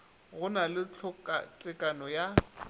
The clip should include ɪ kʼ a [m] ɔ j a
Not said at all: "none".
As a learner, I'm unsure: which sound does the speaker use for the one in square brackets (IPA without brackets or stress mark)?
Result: n